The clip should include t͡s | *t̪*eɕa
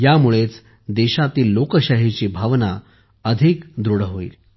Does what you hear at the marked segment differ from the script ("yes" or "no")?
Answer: yes